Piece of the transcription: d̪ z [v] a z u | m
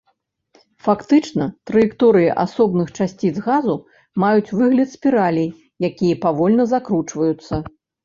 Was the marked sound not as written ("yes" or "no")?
yes